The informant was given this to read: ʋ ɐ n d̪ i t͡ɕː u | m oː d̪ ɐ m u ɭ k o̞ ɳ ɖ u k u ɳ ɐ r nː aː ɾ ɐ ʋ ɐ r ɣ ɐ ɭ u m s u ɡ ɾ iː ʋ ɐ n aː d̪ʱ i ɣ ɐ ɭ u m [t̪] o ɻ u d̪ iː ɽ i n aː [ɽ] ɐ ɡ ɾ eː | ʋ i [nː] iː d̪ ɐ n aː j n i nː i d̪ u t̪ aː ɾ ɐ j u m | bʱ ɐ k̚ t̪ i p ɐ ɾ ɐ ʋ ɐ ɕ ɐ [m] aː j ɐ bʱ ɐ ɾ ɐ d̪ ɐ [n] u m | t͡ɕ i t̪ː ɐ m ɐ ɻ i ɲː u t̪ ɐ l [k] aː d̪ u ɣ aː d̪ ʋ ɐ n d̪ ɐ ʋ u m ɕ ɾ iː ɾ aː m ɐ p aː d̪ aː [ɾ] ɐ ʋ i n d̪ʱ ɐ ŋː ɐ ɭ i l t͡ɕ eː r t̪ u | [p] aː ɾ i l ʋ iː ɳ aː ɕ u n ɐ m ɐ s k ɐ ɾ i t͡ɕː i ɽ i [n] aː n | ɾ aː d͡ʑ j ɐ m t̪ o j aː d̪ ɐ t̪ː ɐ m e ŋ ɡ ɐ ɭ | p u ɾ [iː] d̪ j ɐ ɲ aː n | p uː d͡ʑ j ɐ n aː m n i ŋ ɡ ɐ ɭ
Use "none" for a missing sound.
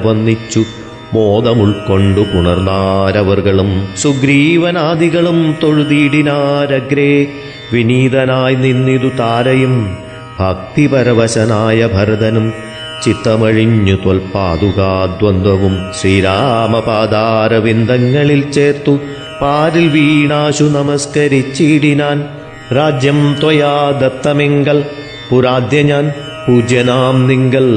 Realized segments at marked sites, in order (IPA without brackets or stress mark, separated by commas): t̪, ɾ, n, n, n, p, ɾ, p, n, aː